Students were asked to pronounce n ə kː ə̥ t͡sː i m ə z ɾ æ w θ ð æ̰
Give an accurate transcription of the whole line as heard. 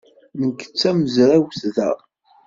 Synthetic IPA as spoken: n ə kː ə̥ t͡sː æ m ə z ɾ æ w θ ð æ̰